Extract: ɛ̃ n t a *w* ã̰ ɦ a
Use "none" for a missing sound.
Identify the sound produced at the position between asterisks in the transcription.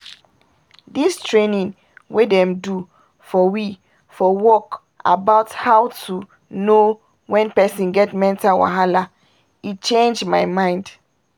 w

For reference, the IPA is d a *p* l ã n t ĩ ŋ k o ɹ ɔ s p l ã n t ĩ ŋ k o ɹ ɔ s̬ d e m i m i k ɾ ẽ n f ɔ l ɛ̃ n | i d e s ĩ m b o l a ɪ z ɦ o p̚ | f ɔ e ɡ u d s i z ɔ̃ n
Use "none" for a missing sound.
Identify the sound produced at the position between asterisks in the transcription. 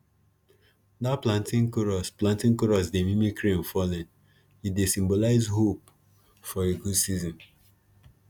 p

